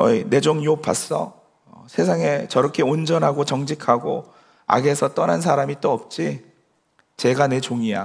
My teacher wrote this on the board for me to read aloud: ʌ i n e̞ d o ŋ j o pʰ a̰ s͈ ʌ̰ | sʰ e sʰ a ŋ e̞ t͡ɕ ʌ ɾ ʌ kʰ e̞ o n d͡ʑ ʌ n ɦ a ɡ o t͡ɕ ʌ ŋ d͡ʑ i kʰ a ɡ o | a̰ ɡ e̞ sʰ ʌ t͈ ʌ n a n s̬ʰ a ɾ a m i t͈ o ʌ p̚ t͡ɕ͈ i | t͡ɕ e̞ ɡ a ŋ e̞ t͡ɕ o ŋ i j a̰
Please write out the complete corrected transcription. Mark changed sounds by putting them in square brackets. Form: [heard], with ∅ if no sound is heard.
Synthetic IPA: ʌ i n e̞ [d͡ʑ] o ŋ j o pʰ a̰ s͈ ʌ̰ | sʰ e sʰ a ŋ e̞ t͡ɕ ʌ ɾ ʌ kʰ e̞ o n d͡ʑ ʌ n ɦ a ɡ o t͡ɕ ʌ ŋ d͡ʑ i kʰ a ɡ o | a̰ ɡ e̞ sʰ ʌ t͈ ʌ n a n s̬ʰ a ɾ a m i t͈ o ʌ p̚ t͡ɕ͈ i | t͡ɕ e̞ ɡ a [n] e̞ t͡ɕ o ŋ i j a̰